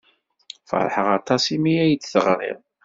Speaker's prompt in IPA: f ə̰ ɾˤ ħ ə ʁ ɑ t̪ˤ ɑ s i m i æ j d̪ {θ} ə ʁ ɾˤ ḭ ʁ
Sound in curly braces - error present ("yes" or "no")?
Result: no